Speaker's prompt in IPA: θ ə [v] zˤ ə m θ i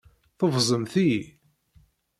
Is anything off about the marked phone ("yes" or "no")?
no